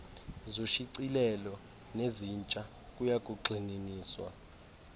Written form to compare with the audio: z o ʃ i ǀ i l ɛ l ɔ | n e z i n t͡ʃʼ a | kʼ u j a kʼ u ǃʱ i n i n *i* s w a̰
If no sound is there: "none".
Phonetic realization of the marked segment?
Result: iː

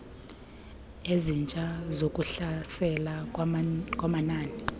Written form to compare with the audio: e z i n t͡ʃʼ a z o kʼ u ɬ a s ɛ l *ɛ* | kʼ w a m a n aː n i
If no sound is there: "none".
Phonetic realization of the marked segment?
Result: a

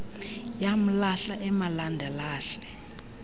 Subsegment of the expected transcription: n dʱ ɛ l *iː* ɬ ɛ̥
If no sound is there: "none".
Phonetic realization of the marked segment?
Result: aː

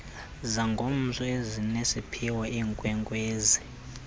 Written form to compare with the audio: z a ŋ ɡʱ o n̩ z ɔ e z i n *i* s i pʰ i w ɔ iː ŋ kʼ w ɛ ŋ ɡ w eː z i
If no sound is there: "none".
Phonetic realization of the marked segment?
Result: e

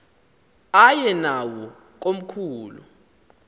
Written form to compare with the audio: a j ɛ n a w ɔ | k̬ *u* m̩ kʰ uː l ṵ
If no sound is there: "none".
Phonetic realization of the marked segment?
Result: o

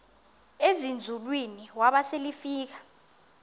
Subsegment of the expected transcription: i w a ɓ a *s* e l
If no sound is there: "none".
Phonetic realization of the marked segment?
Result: s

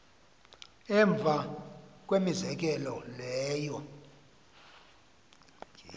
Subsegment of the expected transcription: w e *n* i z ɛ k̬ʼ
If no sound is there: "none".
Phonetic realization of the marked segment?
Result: m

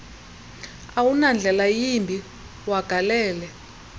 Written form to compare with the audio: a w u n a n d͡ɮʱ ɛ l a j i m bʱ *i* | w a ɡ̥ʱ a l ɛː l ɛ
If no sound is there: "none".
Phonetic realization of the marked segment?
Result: i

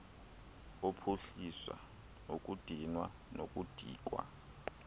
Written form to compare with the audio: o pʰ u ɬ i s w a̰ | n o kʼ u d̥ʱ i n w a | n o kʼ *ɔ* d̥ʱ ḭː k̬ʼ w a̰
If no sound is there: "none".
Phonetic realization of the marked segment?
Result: u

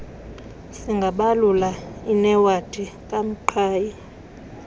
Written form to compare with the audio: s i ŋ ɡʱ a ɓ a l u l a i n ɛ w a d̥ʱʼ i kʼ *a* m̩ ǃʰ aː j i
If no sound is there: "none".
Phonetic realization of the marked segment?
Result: a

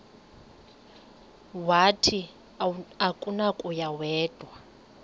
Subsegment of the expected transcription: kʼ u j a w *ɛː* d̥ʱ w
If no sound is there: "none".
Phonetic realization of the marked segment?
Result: ɛː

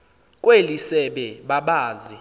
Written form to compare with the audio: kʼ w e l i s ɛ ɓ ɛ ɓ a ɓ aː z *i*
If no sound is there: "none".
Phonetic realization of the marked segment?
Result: i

